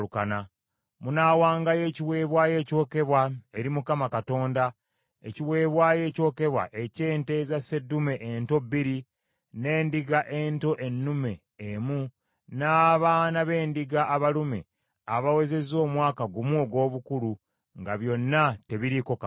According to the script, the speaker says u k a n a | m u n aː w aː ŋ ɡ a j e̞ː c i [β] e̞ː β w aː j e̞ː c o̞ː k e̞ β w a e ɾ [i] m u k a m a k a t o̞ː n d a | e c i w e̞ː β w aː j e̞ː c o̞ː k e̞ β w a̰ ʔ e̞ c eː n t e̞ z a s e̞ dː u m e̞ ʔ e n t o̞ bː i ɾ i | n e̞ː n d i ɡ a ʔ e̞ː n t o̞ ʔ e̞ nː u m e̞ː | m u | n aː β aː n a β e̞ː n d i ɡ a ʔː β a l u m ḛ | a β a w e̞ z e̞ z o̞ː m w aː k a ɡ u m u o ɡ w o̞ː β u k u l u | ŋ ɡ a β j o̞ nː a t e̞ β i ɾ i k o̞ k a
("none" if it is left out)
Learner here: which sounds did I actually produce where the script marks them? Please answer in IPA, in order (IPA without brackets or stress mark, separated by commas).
w, i